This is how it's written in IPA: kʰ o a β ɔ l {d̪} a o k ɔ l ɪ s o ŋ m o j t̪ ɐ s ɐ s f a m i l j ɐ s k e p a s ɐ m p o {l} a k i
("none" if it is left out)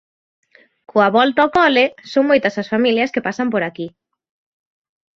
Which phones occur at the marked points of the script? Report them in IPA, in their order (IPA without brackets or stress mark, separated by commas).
t̪, ɾ